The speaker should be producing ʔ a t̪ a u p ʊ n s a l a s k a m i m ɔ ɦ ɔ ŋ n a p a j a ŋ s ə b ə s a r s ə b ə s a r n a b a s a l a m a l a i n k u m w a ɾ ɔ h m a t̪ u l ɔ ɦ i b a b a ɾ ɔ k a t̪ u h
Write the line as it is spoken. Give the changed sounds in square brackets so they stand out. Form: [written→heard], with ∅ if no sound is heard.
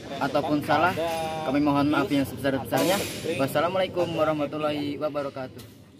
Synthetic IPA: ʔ a t̪ a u p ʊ n s a l a [s→h] k a m i m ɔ ɦ ɔ [ŋ→∅] n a p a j a ŋ s ə b ə s a r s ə b ə s a r [n→ɲ] a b a s a l a m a l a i [n→∅] k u m w a ɾ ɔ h m a t̪ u l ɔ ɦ i [b→w] a b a ɾ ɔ k a t̪ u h